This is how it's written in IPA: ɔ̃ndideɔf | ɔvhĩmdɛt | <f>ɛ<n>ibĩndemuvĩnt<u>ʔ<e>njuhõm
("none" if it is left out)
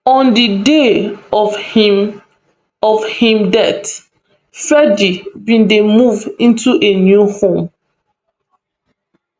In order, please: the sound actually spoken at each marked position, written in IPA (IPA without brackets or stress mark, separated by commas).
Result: f, d, u, e